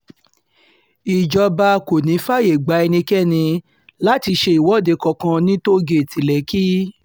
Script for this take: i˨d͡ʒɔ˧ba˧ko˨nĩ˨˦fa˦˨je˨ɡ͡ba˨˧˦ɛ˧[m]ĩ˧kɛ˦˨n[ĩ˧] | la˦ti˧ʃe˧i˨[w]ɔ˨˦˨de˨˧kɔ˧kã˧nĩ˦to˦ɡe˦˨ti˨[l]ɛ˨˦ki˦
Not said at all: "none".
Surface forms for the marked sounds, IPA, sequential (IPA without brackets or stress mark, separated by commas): n, ĩ˧, w, l